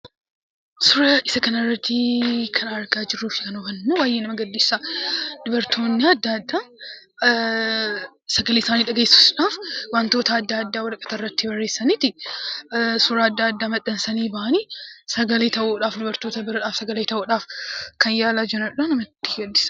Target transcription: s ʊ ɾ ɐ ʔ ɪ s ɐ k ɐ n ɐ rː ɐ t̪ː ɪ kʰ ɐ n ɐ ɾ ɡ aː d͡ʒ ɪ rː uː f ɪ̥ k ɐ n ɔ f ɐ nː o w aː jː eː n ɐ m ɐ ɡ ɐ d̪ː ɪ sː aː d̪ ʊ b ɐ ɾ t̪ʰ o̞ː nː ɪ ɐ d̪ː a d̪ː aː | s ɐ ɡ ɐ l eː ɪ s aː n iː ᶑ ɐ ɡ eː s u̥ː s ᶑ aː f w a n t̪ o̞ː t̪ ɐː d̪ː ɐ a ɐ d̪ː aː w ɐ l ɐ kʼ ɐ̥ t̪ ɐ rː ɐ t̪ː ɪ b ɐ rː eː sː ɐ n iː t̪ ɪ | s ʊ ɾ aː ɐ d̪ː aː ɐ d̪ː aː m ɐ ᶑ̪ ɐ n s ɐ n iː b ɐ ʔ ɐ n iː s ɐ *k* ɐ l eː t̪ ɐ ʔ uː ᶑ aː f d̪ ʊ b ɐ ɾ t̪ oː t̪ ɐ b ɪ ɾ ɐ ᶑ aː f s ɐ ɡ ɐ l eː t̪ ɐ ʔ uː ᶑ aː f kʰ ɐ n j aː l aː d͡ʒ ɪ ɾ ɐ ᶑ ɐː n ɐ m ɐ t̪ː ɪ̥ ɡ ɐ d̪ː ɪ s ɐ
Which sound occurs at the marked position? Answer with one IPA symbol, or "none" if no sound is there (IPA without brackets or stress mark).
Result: ɡ